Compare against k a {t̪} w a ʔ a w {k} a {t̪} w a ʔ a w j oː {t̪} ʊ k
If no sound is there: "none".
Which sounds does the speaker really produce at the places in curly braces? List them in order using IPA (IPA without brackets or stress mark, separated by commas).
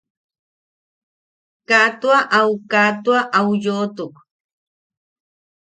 t̪, k, t̪, t̪